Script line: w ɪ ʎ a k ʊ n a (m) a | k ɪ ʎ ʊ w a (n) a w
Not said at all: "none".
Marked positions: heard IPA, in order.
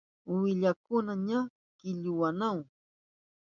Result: ɲ, n

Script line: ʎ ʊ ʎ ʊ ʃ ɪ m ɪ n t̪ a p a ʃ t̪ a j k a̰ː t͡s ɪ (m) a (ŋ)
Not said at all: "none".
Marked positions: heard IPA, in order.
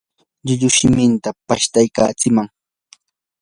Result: m, ŋ

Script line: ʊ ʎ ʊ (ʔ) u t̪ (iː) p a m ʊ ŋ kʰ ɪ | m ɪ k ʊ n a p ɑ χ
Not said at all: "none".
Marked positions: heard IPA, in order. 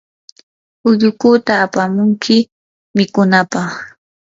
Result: k, aː

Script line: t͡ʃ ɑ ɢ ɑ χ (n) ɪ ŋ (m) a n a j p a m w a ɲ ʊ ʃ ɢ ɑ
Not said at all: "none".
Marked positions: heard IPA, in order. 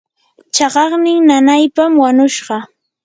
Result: n, n

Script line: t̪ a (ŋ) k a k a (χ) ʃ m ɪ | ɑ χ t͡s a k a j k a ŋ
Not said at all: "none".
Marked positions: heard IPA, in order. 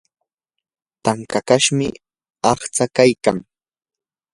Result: ŋ, none

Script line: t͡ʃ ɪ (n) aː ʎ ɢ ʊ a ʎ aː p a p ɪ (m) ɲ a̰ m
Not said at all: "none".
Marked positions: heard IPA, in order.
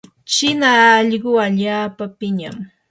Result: n, none

